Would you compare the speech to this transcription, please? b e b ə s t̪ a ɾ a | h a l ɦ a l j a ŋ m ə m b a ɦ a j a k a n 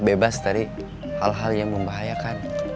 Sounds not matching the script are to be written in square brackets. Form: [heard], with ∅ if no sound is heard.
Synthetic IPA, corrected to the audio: b e b [a] s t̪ a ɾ [i] | h a l ɦ a l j a ŋ m ə m b a ɦ a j a k a n